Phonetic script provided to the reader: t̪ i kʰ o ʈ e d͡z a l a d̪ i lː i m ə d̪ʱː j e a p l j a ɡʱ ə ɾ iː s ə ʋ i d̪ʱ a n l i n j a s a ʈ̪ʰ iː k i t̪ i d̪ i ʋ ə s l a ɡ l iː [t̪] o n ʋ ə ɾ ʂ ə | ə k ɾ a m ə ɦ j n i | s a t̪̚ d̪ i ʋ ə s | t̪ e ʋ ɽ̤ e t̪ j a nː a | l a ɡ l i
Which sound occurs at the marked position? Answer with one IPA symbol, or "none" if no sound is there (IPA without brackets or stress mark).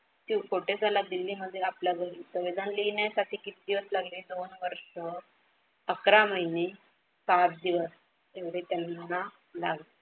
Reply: d̪